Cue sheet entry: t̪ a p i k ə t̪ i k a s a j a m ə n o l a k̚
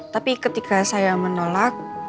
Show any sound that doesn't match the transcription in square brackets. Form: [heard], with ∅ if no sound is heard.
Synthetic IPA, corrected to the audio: t̪ a p i k ə t̪ i k a s a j a m ə n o l a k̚